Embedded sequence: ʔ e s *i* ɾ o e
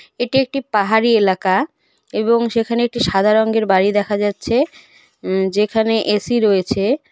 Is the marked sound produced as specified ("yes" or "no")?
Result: yes